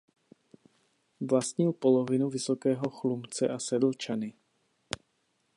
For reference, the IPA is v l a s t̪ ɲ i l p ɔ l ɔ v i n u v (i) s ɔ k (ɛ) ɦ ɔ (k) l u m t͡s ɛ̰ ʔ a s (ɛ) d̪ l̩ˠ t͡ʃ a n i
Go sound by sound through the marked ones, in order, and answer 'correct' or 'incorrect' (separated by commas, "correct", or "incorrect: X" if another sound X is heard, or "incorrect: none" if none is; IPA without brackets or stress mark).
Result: correct, incorrect: ɛː, incorrect: x, correct